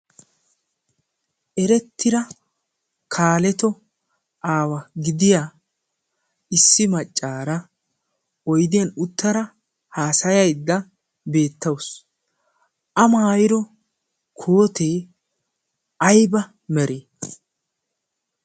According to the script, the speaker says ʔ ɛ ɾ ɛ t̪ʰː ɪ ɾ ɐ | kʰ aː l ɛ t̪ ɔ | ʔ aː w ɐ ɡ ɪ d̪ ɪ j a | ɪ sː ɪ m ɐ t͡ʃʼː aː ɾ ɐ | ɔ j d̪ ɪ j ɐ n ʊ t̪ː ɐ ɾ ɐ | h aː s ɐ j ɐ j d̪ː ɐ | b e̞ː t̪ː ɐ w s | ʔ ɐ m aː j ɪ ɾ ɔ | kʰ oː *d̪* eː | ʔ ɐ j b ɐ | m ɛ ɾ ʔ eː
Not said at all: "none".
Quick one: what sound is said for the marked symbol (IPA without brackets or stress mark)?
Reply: t̪